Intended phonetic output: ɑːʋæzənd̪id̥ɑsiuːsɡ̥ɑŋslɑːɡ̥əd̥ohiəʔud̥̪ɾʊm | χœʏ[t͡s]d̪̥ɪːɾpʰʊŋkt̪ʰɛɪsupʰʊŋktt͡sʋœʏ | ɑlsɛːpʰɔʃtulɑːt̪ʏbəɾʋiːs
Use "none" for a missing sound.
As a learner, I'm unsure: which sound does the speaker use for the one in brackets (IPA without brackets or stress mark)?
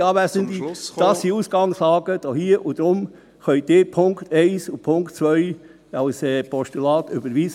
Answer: none